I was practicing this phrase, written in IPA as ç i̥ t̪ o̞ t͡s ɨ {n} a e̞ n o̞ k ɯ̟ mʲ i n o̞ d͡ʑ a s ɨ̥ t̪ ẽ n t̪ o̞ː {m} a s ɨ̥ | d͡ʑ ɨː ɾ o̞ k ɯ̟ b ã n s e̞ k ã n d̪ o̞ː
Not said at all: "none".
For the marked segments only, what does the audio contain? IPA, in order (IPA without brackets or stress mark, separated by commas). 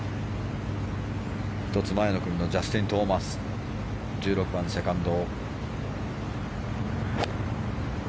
m, m